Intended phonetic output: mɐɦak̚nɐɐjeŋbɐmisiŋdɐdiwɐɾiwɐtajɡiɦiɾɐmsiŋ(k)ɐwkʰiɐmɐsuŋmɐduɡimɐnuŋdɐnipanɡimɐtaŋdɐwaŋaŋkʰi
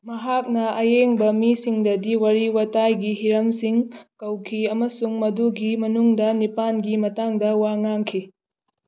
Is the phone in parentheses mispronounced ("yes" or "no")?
no